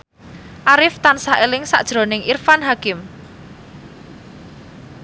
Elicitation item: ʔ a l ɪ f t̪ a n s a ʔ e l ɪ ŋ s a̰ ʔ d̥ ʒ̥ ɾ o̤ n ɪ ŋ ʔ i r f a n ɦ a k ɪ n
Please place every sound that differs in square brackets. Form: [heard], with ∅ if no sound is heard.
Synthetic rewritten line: ʔ a [ɾ] ɪ f t̪ a n s a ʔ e l ɪ ŋ s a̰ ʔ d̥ ʒ̥ ɾ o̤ n ɪ ŋ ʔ i r f a n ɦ a k ɪ [m]